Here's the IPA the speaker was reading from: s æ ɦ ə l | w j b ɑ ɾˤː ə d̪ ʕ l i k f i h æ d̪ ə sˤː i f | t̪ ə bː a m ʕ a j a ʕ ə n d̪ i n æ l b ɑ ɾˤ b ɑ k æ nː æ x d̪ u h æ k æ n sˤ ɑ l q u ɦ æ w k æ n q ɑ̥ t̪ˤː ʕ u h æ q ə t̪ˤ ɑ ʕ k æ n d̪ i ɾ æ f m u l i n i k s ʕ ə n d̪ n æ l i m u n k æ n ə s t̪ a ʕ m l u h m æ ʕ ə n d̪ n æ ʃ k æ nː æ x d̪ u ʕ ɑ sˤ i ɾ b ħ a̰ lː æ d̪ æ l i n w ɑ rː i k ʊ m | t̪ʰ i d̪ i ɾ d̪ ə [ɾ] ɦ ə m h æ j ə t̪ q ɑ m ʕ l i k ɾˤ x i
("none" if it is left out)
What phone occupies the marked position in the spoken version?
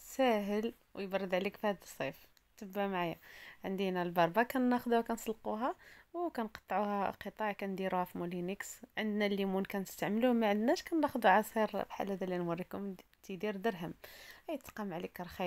ɾ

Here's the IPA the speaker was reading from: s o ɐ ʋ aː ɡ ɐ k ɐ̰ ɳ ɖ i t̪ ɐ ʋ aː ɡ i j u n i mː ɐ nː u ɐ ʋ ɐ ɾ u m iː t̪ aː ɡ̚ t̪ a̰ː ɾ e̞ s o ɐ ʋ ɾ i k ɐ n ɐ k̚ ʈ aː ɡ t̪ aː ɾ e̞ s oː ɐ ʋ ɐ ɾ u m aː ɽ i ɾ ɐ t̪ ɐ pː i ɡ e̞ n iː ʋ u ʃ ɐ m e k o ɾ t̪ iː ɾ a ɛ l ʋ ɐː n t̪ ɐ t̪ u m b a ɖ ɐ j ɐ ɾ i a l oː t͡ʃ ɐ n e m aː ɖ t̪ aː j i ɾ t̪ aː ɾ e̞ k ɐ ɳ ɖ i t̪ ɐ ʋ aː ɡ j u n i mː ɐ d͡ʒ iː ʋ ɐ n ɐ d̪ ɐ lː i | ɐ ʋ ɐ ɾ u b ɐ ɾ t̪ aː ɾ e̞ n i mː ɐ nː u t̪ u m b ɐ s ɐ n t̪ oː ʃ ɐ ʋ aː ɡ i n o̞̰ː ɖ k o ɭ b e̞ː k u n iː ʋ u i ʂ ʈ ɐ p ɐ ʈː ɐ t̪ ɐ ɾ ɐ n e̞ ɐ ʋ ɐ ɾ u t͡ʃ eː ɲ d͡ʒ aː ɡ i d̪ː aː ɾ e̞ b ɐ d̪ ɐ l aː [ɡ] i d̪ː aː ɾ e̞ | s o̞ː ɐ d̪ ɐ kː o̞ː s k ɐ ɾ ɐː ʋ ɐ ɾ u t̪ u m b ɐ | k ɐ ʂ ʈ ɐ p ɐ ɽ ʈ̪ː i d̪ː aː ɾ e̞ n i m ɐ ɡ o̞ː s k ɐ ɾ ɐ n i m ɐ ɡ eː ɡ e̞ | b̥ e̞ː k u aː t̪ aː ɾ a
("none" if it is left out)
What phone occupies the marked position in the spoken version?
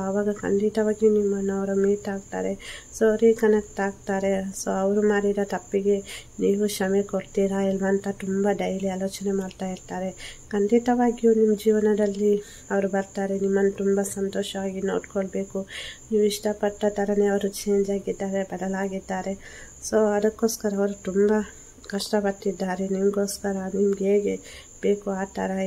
ɡ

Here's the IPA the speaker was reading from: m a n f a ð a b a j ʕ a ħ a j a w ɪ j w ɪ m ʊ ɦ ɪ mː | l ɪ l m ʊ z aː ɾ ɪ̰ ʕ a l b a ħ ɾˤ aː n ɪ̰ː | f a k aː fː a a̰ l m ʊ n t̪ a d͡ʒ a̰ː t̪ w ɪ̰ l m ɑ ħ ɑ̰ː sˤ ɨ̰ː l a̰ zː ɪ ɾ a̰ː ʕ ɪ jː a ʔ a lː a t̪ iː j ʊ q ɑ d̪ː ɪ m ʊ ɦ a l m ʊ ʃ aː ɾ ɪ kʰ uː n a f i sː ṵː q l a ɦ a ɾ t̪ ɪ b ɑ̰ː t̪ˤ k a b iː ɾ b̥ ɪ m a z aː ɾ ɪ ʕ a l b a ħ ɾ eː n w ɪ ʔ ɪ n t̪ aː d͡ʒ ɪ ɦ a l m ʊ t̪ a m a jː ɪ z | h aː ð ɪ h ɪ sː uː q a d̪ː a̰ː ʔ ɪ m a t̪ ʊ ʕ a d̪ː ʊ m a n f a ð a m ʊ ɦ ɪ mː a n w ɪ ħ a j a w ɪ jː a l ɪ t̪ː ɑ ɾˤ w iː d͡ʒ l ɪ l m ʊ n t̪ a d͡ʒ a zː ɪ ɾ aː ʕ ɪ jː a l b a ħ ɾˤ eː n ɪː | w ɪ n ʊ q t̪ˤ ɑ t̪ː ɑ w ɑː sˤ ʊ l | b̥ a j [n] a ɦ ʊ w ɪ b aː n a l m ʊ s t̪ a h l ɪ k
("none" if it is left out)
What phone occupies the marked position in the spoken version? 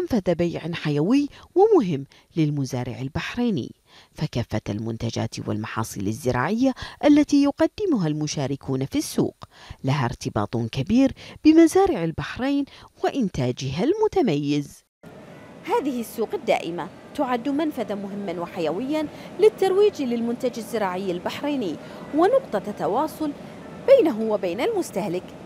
n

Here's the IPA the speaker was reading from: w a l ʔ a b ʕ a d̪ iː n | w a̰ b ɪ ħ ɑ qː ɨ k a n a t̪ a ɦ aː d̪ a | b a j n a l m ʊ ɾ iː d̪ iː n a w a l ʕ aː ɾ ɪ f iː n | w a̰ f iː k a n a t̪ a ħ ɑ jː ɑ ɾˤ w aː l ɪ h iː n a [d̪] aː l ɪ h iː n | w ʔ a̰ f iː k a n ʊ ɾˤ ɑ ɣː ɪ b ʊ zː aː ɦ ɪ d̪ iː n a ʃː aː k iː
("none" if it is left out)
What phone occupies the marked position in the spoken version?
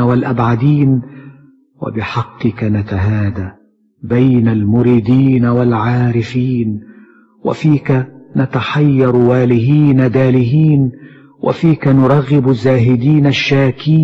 d̪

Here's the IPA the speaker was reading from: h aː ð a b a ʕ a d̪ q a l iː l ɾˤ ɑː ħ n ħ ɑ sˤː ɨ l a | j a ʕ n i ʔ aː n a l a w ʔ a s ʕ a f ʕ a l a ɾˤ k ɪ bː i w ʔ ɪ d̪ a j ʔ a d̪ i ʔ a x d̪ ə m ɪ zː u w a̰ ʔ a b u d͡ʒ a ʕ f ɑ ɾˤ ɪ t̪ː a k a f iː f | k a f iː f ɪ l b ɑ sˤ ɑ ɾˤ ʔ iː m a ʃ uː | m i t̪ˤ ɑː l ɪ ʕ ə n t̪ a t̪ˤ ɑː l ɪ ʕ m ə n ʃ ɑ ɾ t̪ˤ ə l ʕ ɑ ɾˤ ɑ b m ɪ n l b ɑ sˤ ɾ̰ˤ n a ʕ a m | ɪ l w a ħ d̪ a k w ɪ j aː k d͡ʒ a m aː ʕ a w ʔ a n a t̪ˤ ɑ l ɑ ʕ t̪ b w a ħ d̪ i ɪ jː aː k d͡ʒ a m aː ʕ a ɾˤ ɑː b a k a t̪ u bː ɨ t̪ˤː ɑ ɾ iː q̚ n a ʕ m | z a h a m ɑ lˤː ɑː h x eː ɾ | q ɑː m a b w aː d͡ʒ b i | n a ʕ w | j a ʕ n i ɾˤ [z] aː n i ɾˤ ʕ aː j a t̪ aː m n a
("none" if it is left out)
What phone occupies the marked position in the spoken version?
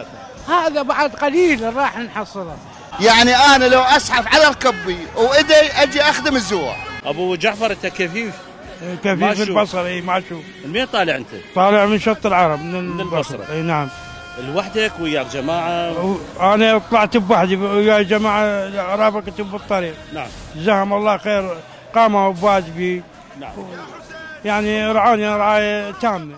ʕ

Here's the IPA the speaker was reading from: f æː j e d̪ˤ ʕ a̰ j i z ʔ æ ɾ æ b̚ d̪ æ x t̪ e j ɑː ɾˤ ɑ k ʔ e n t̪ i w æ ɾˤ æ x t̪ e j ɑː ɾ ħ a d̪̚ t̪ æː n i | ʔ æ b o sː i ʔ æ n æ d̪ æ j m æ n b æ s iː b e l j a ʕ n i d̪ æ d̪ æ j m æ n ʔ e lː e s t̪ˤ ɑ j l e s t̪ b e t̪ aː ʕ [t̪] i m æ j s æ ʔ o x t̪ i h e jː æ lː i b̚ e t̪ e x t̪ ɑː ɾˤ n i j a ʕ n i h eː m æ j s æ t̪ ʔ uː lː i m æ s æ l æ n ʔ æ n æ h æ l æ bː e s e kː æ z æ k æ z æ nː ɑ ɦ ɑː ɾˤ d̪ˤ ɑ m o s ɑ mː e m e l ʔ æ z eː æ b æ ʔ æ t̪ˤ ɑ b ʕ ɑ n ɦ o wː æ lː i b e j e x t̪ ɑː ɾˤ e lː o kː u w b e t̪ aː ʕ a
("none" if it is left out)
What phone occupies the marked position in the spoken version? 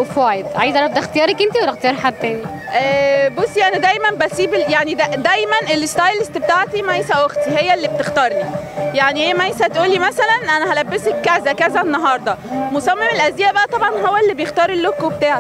t̪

